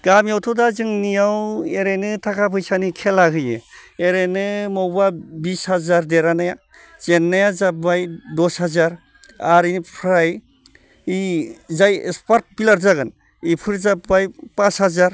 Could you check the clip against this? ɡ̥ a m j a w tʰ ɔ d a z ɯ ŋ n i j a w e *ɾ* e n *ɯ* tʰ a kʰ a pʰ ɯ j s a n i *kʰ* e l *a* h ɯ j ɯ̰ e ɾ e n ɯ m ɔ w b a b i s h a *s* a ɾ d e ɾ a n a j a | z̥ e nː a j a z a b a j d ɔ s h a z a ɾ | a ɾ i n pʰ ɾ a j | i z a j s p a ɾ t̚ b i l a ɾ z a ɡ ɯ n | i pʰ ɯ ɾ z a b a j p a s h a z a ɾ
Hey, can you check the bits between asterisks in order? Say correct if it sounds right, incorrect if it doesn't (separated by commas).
correct, correct, correct, correct, incorrect